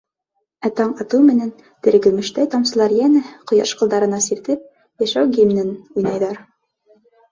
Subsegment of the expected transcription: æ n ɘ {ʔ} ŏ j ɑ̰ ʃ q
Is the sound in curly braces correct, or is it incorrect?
incorrect